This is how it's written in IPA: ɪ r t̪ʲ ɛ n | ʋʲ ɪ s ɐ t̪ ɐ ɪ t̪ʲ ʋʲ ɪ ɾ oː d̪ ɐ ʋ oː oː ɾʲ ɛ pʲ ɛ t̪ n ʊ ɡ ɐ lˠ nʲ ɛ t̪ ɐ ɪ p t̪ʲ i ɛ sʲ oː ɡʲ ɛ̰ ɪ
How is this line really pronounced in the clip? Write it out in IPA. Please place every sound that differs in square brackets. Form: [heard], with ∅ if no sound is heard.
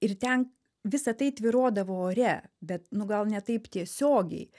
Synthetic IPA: ɪ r t̪ʲ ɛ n | ʋʲ ɪ s ɐ t̪ ɐ ɪ t̪ʲ ʋʲ ɪ ɾ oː d̪ ɐ ʋ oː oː ɾʲ ɛ [bʲ] ɛ t̪ n ʊ ɡ ɐ lˠ nʲ ɛ t̪ ɐ ɪ p t̪ʲ i ɛ sʲ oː ɡʲ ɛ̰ ɪ